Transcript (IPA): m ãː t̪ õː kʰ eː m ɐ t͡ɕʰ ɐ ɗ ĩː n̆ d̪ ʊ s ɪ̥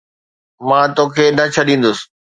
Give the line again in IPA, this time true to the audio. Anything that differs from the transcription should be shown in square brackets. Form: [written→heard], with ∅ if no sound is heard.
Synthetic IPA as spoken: m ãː t̪ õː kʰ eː [m→n] ɐ t͡ɕʰ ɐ ɗ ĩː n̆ d̪ ʊ s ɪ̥